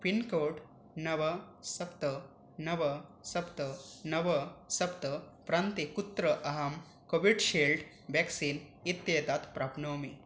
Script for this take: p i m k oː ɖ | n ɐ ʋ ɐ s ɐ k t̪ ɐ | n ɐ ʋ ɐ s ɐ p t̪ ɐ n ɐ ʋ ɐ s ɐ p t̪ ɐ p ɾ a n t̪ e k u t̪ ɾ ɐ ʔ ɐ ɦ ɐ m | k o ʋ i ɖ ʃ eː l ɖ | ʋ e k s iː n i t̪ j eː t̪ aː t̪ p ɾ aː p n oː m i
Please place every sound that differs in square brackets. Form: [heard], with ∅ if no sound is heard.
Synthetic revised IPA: p i [n] k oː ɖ | n ɐ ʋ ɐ s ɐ [p] t̪ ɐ | n ɐ ʋ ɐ s ɐ p t̪ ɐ n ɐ ʋ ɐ s ɐ p t̪ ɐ p ɾ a n t̪ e k u t̪ ɾ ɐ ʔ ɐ ɦ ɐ m | k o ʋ i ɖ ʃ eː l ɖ | ʋ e k s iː n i t̪ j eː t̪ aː t̪ p ɾ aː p n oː m i